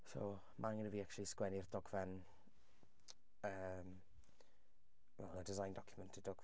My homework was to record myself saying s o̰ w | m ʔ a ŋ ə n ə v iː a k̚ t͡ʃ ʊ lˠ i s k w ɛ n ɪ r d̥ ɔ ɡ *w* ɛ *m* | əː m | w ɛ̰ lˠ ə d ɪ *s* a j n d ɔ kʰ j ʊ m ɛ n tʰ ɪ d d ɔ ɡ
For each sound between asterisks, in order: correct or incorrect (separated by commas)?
incorrect, incorrect, incorrect